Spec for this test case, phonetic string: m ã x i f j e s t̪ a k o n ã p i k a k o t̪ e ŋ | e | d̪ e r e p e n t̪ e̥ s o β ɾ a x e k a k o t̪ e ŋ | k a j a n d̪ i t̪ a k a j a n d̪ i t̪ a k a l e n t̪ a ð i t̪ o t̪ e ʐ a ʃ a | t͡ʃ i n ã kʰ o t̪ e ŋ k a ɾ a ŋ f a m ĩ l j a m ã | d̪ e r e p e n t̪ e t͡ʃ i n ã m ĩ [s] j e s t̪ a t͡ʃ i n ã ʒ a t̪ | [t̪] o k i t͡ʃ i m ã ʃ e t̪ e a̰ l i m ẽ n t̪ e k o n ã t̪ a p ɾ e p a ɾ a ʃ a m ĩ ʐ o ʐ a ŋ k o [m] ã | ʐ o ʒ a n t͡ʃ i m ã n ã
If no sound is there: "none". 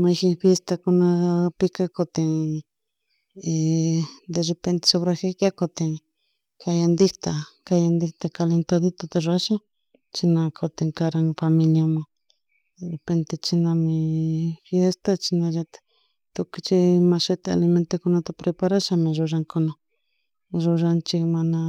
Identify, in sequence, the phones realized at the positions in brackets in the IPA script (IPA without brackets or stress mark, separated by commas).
f, t̪, n